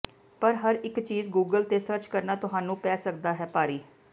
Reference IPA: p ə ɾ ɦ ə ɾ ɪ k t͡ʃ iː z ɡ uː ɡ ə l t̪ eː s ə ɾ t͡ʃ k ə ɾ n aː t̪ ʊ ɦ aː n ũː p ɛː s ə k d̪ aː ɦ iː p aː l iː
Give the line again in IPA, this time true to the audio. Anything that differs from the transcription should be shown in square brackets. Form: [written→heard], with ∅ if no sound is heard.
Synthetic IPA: p ə ɾ ɦ ə ɾ ɪ k t͡ʃ iː z ɡ uː ɡ ə l t̪ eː s ə ɾ t͡ʃ k ə ɾ n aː t̪ ʊ ɦ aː n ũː p ɛː s ə k d̪ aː ɦ [iː→ɛː] p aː [l→ɾ] iː

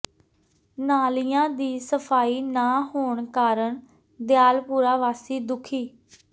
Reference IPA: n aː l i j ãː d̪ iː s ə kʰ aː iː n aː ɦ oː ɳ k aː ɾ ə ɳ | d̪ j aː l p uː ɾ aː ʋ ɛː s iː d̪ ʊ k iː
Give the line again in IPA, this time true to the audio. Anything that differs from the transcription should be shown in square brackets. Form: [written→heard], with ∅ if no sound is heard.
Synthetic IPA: n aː l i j ãː d̪ iː s ə [kʰ→pʰ] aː iː n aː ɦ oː ɳ k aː ɾ ə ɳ | d̪ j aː l p uː ɾ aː ʋ [ɛː→aː] s iː d̪ ʊ [k→kʰ] iː

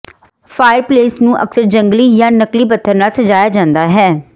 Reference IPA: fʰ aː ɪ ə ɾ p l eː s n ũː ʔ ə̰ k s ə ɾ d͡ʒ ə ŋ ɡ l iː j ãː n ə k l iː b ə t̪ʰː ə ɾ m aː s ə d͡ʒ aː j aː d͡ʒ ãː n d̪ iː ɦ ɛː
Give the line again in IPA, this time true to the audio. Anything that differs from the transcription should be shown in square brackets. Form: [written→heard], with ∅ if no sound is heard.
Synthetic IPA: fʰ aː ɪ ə ɾ p l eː s n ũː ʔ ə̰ k s ə ɾ d͡ʒ ə ŋ ɡ l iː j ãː n ə k l iː b ə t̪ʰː ə ɾ [m→n] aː s ə d͡ʒ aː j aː d͡ʒ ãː n d̪ [iː→aː] ɦ ɛː

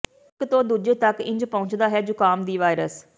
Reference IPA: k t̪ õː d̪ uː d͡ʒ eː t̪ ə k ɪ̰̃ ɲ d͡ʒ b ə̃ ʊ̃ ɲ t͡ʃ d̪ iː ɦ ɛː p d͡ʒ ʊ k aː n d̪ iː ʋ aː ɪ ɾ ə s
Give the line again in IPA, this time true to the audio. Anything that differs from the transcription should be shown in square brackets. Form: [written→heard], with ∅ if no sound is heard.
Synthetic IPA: k t̪ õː d̪ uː d͡ʒ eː t̪ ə k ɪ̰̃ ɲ d͡ʒ [b→p] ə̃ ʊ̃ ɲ t͡ʃ d̪ [iː→aː] ɦ ɛː [p→∅] d͡ʒ ʊ k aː [n→m] d̪ iː ʋ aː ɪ ɾ ə s

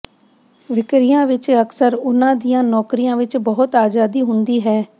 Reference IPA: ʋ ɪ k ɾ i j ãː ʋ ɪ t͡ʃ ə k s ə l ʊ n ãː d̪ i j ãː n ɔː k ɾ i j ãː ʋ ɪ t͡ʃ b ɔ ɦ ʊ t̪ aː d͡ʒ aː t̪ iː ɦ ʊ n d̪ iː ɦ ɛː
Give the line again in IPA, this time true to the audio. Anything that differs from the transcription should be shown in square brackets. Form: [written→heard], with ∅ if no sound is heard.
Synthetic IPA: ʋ ɪ k ɾ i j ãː ʋ ɪ t͡ʃ ə k s ə [l→ɾ] ʊ n ãː d̪ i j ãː n ɔː k ɾ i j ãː ʋ ɪ t͡ʃ b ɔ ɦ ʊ t̪ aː d͡ʒ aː [t̪→d̪] iː ɦ ʊ n d̪ iː ɦ ɛː

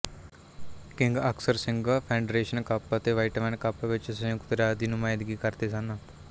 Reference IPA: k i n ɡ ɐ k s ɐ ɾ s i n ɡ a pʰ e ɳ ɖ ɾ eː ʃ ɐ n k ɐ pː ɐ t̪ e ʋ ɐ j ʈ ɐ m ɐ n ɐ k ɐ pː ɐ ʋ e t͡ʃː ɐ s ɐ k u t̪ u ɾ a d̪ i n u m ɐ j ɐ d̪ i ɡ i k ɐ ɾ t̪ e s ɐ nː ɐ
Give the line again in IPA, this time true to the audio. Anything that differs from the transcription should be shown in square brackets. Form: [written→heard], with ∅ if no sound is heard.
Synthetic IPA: k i [n→ŋ] ɡ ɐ k s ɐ ɾ s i [n→ŋ] ɡ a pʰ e ɳ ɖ ɾ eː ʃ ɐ n k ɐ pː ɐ t̪ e ʋ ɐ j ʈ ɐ m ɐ n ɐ k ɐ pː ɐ ʋ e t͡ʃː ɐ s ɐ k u t̪ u ɾ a d̪ i n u m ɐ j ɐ d̪ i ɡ i k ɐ ɾ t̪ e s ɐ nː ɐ

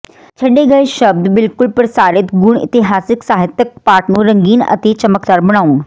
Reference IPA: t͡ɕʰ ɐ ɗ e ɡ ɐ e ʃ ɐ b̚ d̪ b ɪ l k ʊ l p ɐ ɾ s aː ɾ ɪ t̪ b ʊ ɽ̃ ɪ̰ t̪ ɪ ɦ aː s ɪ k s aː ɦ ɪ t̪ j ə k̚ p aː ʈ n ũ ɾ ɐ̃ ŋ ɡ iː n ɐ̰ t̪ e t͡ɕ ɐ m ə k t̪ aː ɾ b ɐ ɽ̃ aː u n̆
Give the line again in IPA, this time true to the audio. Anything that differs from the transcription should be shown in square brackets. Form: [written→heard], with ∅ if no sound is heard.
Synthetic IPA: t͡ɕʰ ɐ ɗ e ɡ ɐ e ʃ ɐ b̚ d̪ b ɪ l k ʊ l p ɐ ɾ s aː ɾ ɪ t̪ [b→ɡ] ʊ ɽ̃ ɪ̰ t̪ ɪ ɦ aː s ɪ k s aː ɦ ɪ t̪ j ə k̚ p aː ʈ n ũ ɾ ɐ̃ ŋ ɡ iː n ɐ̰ t̪ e t͡ɕ ɐ m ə k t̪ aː ɾ b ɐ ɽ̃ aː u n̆

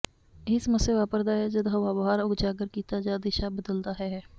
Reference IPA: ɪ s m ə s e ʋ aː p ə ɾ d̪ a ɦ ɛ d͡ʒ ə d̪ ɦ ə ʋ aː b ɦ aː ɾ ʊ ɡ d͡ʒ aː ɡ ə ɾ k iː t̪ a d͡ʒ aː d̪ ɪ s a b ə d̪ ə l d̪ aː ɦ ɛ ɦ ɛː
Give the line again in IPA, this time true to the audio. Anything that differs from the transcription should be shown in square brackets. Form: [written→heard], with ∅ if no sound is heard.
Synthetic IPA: ɪ s m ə s e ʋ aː p ə ɾ d̪ a ɦ ɛ d͡ʒ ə d̪ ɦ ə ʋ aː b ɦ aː ɾ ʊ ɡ d͡ʒ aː ɡ ə ɾ k iː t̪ a d͡ʒ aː d̪ ɪ [s→ʃ] a b ə d̪ ə l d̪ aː ɦ ɛ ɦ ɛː

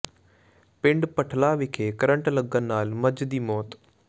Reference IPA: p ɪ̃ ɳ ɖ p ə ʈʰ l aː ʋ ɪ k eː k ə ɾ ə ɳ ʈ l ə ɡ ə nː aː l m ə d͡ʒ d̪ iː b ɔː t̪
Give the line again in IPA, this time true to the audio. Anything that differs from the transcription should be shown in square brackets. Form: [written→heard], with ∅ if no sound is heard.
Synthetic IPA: p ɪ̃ ɳ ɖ p ə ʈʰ l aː ʋ ɪ [k→kʰ] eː k ə ɾ ə ɳ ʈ l ə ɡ ə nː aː l m ə d͡ʒ d̪ iː [b→m] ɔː t̪

